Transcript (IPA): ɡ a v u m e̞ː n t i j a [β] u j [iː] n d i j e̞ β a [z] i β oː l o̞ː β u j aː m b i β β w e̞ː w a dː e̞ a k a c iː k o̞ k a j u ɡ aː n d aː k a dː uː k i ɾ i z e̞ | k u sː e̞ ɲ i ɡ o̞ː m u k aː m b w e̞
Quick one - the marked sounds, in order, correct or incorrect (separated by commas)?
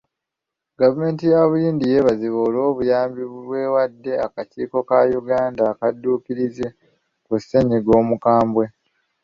correct, correct, correct